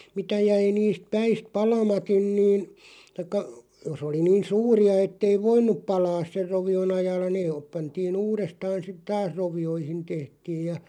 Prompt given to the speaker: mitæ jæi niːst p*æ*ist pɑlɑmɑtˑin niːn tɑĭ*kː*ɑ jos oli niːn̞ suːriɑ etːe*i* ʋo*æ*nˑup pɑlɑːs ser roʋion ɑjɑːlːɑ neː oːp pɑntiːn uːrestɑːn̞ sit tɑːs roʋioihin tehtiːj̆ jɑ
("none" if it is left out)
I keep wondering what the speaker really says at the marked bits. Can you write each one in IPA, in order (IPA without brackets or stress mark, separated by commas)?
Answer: æ, kː, i, i